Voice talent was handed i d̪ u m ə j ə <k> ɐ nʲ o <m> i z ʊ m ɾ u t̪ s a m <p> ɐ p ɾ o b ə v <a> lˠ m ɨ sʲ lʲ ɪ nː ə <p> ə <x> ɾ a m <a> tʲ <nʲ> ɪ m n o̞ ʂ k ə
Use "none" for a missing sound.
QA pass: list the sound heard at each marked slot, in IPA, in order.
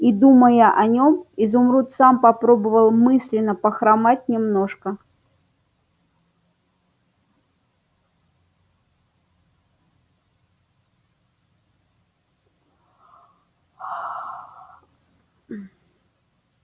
ʔ, m, p, ə, p, x, a, nʲ

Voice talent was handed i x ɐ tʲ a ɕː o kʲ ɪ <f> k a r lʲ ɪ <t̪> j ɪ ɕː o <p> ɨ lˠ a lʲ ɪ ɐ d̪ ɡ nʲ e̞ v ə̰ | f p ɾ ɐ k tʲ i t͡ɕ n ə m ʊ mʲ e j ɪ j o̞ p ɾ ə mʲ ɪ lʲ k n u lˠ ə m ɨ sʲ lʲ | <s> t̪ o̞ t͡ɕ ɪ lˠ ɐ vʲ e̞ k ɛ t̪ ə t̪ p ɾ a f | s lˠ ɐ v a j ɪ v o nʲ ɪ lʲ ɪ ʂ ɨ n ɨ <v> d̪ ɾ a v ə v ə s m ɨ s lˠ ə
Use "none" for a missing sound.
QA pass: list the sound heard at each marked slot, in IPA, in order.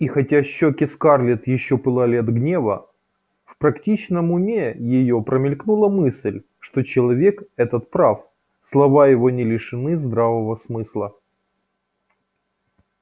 s, t̪, p, ʂ, z

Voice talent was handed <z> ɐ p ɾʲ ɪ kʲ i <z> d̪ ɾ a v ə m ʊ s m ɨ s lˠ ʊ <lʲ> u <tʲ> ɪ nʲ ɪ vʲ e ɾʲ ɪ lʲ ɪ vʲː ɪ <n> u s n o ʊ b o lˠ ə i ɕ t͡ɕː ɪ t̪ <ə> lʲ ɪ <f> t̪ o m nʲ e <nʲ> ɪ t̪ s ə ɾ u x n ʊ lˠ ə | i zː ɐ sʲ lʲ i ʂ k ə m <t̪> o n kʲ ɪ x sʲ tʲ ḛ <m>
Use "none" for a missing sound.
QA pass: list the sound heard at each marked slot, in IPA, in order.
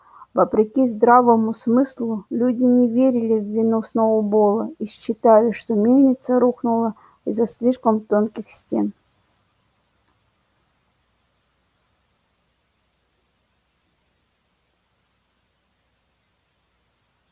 v, z, lʲ, dʲ, n, a, ʂ, nʲ, t̪, n

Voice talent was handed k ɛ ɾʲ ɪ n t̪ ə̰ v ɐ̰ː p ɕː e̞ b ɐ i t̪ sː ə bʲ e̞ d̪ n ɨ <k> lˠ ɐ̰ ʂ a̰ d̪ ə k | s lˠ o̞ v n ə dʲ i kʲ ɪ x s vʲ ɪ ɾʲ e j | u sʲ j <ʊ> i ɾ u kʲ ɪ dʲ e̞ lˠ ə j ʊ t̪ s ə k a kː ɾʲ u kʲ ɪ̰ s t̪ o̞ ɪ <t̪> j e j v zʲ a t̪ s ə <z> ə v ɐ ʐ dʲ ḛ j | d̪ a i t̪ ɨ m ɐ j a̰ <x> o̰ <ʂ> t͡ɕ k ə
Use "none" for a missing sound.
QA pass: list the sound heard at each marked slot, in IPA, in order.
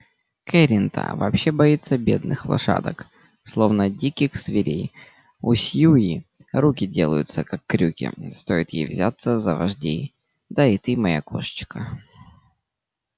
x, u, t̪, z, k, ʂ

